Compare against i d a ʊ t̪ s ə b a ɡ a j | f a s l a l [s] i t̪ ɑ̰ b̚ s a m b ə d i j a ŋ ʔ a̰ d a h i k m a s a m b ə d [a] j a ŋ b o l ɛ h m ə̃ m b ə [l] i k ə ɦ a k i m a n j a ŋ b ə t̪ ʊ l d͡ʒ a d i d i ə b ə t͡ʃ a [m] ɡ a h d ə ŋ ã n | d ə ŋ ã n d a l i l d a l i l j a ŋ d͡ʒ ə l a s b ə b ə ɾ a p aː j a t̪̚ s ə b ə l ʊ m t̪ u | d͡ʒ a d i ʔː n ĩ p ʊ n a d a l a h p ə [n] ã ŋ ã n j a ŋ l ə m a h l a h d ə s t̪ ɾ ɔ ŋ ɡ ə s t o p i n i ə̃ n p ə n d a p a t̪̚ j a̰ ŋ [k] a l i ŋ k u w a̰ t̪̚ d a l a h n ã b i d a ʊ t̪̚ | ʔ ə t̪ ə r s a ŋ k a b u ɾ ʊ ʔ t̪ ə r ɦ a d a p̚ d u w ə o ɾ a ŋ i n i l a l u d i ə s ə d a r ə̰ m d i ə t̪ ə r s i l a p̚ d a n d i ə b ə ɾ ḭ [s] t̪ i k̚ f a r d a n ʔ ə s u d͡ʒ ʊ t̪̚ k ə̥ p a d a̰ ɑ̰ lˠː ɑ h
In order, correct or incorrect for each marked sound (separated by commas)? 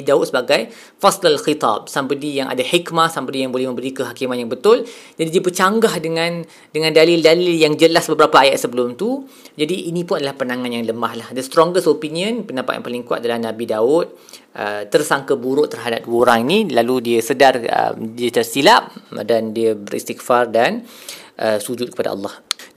incorrect, incorrect, incorrect, incorrect, correct, incorrect, correct